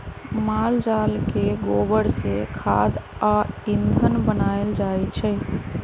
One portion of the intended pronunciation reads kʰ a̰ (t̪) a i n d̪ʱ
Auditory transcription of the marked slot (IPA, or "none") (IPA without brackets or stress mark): d̪